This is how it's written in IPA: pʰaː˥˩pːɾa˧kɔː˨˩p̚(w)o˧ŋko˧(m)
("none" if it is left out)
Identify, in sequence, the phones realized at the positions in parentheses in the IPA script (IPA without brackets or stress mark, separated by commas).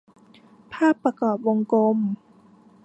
w, m